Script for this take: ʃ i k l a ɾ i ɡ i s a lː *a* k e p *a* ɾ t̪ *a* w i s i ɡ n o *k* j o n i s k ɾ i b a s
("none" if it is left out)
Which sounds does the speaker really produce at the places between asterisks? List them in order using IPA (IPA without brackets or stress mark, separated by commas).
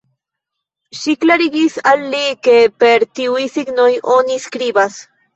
i, e, i, none